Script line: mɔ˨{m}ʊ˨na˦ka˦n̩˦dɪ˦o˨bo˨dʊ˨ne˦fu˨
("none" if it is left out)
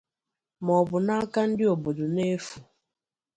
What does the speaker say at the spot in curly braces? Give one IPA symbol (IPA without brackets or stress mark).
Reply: b